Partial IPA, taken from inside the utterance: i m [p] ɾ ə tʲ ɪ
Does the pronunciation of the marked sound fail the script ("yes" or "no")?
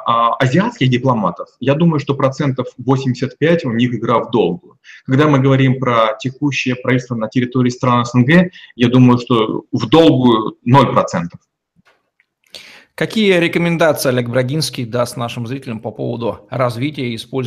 no